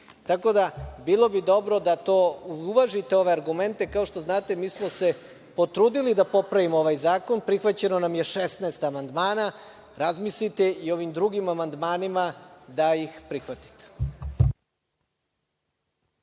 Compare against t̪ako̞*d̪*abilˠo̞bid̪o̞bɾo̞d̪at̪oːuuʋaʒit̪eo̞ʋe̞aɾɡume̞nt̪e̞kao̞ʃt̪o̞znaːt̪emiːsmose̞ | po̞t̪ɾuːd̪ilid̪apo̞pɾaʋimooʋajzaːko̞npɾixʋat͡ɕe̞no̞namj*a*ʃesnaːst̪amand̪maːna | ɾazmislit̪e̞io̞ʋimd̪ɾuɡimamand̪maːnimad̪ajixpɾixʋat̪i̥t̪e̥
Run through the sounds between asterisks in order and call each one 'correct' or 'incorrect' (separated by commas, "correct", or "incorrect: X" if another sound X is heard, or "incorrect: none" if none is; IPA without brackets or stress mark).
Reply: correct, incorrect: e